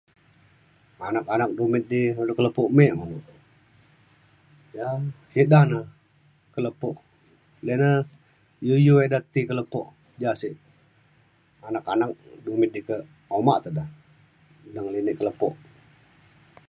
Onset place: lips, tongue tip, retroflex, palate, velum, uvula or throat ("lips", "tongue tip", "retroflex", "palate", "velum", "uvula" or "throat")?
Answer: tongue tip